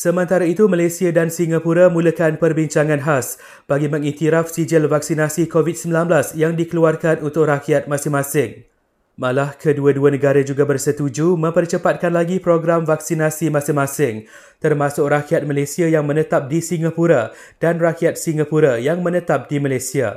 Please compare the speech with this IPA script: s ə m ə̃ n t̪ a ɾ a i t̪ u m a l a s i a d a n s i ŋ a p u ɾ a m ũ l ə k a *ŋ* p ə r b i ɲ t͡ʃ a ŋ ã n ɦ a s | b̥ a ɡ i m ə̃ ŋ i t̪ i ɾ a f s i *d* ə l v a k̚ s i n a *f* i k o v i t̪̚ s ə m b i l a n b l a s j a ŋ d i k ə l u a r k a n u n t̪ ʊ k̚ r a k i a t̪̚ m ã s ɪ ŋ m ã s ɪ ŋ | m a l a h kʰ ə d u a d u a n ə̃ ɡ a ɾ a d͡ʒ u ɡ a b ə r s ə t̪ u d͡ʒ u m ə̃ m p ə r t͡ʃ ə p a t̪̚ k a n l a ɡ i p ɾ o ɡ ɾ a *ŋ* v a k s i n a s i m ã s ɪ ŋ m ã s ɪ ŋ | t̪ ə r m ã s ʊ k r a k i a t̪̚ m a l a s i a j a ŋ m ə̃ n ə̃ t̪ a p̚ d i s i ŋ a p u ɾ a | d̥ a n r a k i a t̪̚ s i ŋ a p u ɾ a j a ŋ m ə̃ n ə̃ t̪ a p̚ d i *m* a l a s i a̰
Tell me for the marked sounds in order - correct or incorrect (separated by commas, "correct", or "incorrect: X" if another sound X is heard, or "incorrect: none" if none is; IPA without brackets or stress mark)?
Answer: incorrect: n, incorrect: d͡ʒ, incorrect: s, incorrect: m, correct